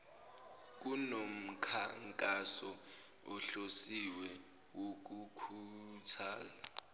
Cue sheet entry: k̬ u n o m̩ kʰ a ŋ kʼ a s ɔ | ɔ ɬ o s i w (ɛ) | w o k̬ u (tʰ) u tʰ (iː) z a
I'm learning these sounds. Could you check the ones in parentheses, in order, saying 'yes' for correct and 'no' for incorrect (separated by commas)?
yes, no, no